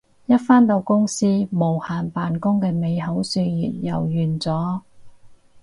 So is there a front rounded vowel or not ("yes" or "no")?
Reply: yes